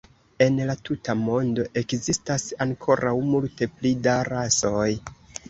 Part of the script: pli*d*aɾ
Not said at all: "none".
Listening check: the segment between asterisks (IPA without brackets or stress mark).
d